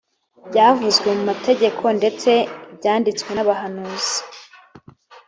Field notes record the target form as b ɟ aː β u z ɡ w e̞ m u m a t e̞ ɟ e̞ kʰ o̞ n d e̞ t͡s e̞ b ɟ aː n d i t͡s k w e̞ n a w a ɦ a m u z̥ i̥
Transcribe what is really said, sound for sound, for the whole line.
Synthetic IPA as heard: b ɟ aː v u z ɡ w e̞ m u m a t e̞ ɟ e̞ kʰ o̞ n d e̞ t͡s e̞ b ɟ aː n d i t͡s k w e̞ n a β a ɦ a n u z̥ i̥